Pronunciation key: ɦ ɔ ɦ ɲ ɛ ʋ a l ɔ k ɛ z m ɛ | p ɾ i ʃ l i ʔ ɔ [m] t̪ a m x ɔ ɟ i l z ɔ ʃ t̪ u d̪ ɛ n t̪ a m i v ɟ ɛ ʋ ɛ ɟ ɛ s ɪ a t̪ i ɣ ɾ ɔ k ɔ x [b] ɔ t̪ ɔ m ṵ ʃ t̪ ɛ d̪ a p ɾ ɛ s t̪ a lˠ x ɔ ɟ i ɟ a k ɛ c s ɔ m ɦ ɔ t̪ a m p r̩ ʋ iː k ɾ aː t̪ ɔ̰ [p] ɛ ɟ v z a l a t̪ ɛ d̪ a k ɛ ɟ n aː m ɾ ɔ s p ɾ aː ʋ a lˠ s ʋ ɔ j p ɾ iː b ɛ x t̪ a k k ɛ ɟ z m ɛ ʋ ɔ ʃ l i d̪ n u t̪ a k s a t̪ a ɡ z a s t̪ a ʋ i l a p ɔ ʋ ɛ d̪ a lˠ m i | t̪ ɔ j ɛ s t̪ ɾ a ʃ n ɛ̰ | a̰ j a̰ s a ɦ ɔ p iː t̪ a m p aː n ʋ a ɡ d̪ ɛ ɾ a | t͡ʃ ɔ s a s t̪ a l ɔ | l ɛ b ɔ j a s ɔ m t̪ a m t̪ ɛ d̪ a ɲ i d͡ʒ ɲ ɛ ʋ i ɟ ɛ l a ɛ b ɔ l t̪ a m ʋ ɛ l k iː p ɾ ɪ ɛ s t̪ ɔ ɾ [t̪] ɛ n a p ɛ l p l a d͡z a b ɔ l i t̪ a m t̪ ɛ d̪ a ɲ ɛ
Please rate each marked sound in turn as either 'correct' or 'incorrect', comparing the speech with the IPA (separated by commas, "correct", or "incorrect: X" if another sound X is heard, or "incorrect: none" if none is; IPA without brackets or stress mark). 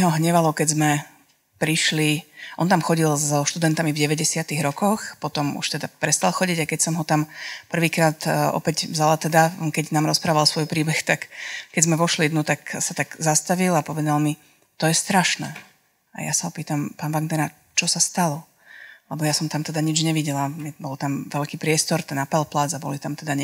incorrect: n, incorrect: p, correct, correct